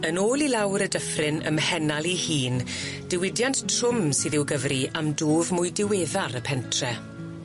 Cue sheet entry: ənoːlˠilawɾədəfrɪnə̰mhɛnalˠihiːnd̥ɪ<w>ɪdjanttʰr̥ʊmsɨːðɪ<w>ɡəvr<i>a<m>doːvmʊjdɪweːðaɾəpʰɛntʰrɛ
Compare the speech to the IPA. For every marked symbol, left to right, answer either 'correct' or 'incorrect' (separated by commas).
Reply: correct, correct, correct, correct